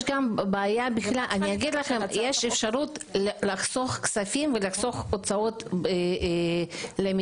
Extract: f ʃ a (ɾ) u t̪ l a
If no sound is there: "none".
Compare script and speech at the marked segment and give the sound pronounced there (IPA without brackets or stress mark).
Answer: ɾ